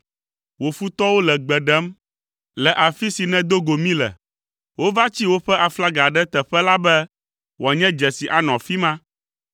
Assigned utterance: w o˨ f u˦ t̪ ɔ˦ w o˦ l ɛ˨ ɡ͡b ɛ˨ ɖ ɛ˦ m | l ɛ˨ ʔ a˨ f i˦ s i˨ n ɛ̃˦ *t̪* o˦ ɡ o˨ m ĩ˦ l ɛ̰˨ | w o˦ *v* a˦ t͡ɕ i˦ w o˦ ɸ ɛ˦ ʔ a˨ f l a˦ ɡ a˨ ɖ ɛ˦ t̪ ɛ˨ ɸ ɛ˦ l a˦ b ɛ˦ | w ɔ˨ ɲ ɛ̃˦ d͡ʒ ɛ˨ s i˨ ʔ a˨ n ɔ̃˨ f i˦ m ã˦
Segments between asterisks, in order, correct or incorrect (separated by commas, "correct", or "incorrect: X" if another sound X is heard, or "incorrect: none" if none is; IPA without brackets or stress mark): incorrect: d̪, correct